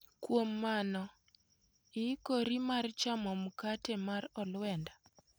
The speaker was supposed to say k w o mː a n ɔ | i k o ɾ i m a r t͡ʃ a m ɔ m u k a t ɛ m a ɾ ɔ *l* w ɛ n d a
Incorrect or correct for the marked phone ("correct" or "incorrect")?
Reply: correct